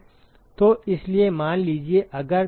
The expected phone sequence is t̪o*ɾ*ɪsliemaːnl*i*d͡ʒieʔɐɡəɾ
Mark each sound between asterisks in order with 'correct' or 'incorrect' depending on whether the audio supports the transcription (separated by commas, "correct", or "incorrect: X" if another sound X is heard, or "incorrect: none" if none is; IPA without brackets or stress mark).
incorrect: none, incorrect: iː